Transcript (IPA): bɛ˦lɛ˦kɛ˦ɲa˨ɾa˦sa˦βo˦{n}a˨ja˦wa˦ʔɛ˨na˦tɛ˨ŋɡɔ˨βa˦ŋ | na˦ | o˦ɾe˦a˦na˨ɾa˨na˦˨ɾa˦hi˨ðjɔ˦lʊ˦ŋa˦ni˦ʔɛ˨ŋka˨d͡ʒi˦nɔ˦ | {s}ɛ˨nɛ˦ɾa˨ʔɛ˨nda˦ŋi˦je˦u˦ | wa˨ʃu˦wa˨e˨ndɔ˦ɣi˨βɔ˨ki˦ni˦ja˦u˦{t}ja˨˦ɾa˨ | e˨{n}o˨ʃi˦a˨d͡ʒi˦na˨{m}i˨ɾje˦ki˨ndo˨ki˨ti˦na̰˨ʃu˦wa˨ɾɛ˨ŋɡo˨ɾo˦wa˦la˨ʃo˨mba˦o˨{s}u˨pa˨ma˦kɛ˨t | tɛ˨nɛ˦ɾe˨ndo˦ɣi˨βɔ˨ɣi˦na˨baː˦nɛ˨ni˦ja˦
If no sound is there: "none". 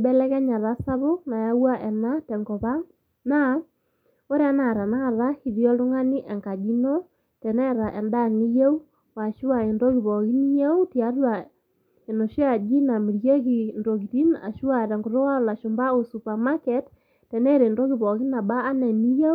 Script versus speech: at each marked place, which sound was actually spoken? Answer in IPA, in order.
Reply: n, t, t, n, m, s

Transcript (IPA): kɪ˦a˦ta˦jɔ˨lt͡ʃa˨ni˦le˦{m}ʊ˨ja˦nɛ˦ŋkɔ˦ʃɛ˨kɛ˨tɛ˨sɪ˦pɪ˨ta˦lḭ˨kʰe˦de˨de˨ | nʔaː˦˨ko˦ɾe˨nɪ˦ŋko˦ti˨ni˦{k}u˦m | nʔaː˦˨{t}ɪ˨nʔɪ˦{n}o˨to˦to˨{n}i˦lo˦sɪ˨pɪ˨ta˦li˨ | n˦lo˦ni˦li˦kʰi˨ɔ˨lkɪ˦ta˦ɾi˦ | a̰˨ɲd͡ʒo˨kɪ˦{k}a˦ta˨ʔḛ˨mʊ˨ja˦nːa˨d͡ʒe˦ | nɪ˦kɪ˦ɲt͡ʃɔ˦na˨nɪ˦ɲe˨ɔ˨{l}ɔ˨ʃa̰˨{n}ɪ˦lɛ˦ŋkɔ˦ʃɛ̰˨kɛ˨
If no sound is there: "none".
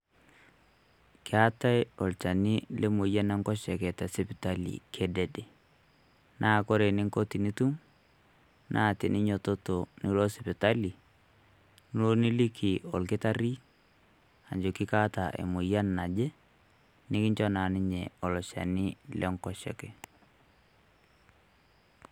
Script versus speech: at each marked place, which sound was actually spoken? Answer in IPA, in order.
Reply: m, t, t, ɲ, n, k, l, n

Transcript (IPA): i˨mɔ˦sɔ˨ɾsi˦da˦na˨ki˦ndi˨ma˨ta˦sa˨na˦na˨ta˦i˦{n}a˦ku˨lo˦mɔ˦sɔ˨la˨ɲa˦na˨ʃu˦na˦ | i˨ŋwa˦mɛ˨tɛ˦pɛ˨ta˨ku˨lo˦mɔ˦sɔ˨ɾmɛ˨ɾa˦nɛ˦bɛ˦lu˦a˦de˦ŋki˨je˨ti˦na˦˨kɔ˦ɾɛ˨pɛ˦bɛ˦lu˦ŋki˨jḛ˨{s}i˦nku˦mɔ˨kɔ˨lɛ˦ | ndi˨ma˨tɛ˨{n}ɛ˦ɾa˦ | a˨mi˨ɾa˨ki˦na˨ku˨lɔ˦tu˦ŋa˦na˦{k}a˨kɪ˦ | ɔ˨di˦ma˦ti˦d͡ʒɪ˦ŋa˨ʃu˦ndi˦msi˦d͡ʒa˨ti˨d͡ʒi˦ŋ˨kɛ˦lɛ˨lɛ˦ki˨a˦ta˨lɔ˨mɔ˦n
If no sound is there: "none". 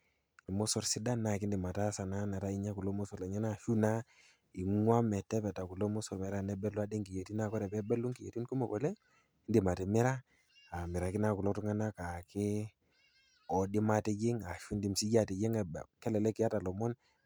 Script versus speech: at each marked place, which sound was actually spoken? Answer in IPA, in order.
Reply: ɲ, t, m, k

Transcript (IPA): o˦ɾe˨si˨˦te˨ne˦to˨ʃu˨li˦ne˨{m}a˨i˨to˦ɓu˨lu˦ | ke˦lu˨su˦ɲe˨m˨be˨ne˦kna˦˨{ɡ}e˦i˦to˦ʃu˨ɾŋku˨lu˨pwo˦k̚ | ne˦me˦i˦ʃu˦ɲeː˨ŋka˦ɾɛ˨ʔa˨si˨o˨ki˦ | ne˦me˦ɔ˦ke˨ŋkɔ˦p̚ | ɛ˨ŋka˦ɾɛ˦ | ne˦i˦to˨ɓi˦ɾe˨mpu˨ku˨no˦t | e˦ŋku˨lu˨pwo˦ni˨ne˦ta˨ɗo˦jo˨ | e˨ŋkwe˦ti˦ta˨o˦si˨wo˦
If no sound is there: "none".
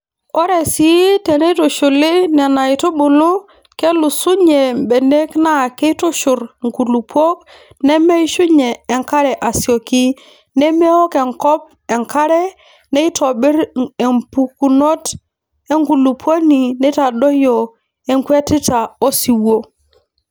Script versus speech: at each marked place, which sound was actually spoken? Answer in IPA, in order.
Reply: n, k

